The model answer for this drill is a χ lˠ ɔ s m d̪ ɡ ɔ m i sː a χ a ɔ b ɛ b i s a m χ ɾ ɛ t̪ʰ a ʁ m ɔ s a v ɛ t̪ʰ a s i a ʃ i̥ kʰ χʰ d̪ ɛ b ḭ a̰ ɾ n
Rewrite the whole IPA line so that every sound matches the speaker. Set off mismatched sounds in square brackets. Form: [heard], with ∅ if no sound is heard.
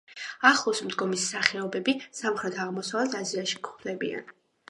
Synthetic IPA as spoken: a χ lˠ ɔ s m d̪ ɡ ɔ m i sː a χ [ɛ] ɔ b ɛ b i s a m χ ɾ ɛ t̪ʰ a ʁ m ɔ s a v ɛ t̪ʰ a [z] i a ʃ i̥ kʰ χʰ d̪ ɛ b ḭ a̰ [∅] n